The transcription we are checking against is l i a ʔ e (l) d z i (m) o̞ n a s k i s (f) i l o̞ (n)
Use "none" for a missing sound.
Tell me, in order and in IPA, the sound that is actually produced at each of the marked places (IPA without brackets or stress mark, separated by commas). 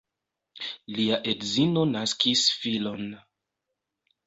none, n, f, n